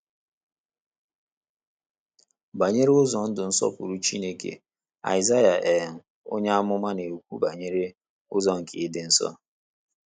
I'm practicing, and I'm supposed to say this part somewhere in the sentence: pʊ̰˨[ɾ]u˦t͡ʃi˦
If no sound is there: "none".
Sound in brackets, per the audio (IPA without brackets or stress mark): ɾ